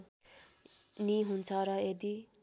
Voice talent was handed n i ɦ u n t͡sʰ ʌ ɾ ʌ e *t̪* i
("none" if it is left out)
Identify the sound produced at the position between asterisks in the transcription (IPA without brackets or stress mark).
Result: d̪